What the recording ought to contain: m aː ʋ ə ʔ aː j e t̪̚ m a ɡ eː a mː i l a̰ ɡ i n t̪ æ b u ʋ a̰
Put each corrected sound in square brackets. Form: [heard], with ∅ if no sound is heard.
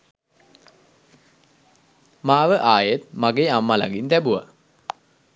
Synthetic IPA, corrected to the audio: m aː ʋ ə ʔ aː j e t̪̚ m a ɡ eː a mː [a] l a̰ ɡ i n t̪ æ b u ʋ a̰